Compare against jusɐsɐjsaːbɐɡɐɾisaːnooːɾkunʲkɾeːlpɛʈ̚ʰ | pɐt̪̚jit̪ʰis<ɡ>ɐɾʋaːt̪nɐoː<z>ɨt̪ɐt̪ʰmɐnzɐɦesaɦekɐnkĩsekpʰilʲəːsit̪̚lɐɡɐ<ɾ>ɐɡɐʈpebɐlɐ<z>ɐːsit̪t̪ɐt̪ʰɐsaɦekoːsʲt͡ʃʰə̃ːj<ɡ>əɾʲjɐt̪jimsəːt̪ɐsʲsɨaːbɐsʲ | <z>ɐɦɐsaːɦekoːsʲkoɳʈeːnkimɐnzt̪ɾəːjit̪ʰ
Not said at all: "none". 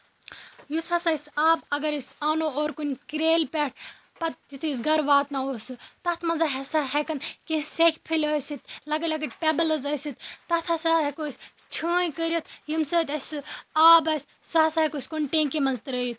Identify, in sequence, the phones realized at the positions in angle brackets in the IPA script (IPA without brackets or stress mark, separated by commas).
ɡ, s, l, z, k, s